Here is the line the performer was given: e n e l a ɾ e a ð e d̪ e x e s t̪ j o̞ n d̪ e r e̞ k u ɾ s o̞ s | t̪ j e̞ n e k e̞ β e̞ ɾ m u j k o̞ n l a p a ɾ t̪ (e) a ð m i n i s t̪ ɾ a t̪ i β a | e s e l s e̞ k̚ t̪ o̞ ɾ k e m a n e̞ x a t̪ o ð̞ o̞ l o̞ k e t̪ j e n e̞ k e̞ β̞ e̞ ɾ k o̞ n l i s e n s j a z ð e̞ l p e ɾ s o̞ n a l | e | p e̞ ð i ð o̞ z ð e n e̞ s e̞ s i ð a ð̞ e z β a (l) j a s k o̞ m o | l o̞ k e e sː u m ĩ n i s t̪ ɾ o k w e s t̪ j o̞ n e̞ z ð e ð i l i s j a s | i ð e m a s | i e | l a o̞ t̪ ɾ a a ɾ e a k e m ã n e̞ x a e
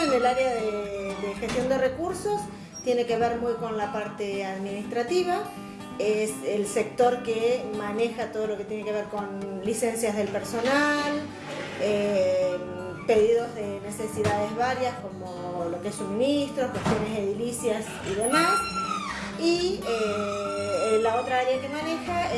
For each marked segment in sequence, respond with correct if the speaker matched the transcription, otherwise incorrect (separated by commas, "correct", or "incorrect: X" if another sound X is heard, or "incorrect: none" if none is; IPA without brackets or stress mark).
correct, incorrect: ɾ